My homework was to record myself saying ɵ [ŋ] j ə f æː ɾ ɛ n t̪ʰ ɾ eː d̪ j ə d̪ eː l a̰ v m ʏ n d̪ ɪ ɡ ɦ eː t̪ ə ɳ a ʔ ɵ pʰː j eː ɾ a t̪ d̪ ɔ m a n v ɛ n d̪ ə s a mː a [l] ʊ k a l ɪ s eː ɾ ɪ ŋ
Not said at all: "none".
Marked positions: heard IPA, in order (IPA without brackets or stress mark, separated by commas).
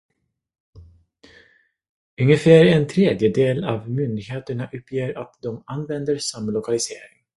ŋ, l